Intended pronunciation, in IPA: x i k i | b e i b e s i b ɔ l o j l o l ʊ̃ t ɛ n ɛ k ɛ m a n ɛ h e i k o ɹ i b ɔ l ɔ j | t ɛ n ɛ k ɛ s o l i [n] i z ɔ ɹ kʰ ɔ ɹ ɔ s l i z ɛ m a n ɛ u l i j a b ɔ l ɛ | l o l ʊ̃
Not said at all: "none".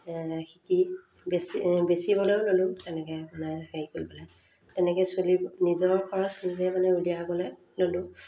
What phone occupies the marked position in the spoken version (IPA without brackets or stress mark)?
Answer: n